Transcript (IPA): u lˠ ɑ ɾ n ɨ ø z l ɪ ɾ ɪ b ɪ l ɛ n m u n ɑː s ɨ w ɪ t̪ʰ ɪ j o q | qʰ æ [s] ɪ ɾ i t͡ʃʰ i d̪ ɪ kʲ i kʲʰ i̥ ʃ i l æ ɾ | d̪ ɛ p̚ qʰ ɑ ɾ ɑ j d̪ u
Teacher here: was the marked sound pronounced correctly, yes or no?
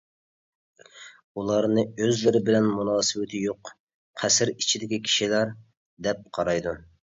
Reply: yes